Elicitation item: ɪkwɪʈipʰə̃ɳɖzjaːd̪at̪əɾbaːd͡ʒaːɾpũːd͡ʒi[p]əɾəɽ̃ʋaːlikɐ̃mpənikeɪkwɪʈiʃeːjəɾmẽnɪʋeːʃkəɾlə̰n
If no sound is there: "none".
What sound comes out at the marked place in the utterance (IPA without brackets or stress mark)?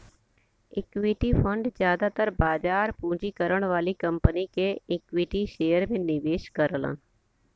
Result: k